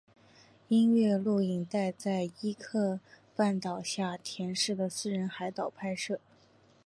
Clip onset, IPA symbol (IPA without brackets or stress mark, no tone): i